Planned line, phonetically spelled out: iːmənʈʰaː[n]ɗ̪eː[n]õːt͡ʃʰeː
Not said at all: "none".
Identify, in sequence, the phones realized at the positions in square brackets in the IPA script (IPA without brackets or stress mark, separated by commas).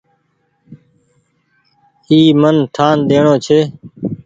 n, ɳ